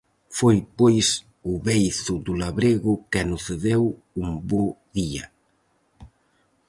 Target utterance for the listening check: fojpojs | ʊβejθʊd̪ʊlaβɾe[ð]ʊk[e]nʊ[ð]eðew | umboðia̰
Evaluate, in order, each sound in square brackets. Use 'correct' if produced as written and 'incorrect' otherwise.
incorrect, incorrect, incorrect

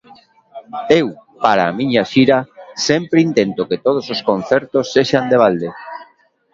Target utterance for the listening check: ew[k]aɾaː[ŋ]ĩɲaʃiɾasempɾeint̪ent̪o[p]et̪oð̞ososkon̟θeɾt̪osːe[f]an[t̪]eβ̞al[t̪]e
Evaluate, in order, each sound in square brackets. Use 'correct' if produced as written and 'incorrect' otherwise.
incorrect, incorrect, incorrect, incorrect, incorrect, incorrect

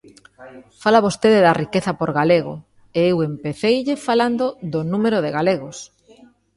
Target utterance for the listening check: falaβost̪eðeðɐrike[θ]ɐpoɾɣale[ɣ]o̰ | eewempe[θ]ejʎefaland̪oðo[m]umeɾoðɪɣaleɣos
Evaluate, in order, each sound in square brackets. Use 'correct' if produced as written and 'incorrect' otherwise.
correct, correct, correct, incorrect

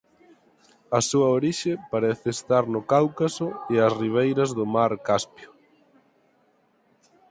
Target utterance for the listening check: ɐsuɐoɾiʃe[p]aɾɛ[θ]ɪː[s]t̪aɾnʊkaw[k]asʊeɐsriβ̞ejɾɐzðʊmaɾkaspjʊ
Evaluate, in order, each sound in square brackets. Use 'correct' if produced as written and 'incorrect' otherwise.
correct, correct, correct, correct

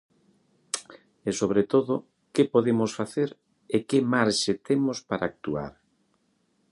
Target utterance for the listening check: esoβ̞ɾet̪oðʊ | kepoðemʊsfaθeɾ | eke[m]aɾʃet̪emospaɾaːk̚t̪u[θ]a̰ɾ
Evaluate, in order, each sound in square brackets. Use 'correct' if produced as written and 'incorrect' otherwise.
correct, incorrect

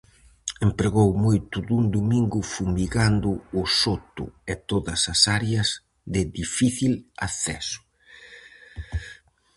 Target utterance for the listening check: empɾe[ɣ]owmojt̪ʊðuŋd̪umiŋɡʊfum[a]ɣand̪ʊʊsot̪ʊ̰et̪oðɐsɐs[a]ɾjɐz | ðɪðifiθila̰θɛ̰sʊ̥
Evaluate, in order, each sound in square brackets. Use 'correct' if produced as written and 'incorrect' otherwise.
correct, incorrect, correct

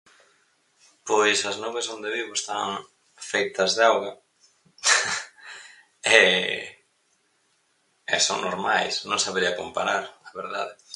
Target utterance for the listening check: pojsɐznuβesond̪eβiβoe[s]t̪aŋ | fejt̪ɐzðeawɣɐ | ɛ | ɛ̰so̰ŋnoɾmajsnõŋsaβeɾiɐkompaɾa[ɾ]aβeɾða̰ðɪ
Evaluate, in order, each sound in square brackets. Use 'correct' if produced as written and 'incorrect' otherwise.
correct, correct

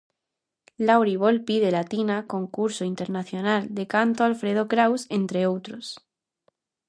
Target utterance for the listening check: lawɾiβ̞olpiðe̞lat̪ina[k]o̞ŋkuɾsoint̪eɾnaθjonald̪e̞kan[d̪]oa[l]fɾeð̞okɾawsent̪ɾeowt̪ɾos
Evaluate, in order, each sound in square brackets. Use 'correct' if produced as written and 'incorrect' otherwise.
correct, incorrect, correct

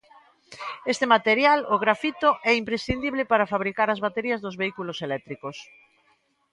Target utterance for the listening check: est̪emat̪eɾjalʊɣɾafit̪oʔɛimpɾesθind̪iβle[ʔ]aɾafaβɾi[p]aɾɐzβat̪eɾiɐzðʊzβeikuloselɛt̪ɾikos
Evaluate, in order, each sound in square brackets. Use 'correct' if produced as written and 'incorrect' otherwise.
incorrect, incorrect

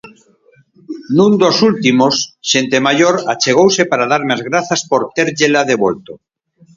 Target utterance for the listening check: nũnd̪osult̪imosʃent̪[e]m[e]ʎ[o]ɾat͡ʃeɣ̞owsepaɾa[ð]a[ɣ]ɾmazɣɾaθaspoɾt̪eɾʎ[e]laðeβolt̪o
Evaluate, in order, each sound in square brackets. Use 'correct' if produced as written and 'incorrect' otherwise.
correct, incorrect, correct, correct, incorrect, correct

